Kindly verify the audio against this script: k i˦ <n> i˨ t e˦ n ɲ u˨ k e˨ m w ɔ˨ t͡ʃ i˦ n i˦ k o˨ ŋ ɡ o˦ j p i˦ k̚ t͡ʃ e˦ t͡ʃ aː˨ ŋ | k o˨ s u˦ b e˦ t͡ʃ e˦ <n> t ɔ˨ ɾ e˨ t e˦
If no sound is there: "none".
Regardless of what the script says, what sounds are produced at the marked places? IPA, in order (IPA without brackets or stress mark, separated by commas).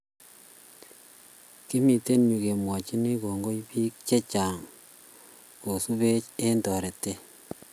m, n